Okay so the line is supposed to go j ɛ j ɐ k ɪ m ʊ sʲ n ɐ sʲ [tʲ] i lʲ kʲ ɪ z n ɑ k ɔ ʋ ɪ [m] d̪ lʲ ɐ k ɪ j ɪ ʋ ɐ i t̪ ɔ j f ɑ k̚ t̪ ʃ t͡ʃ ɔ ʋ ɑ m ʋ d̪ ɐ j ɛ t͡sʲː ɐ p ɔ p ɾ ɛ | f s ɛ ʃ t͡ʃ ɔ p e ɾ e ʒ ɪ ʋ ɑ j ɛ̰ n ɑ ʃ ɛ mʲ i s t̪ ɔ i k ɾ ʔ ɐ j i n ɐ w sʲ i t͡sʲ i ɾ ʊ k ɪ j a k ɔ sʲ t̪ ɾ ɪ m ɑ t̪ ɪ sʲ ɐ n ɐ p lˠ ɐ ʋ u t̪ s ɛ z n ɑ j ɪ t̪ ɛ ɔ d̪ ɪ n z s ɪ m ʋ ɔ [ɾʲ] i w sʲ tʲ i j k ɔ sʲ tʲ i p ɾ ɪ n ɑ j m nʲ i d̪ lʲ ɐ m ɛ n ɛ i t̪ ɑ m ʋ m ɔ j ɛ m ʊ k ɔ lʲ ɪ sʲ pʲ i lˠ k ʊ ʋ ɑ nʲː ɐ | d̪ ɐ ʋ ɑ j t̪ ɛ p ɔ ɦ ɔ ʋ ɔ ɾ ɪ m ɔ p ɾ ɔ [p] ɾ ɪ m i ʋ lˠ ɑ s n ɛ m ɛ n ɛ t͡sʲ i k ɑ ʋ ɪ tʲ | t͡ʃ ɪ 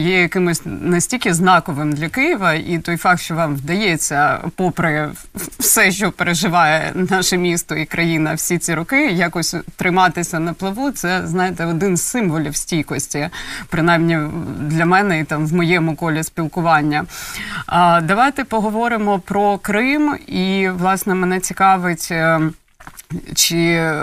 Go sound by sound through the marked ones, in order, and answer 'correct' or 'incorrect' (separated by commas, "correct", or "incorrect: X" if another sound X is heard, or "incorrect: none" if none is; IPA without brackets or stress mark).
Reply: correct, correct, incorrect: lʲ, incorrect: k